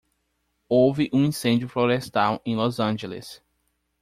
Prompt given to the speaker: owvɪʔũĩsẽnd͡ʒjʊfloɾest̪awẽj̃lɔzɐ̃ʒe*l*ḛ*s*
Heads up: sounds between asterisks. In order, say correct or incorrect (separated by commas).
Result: correct, correct